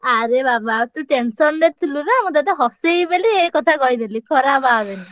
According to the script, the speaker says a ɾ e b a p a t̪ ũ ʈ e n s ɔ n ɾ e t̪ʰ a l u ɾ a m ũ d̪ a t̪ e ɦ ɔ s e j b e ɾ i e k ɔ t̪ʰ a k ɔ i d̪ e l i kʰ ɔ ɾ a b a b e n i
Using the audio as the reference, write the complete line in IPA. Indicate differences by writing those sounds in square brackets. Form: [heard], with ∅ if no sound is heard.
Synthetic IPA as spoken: a ɾ e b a [b] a t̪ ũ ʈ e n s ɔ n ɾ e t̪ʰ [i] l u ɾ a m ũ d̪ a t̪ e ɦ ɔ s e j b e [l] i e k ɔ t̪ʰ a k ɔ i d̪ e l i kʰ ɔ ɾ a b a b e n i